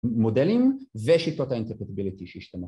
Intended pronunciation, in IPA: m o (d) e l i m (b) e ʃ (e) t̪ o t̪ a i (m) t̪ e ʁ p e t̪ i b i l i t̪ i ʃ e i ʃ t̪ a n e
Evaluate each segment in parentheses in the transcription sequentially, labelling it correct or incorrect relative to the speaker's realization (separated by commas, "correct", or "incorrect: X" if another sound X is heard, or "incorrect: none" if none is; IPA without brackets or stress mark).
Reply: correct, incorrect: v, incorrect: i, incorrect: n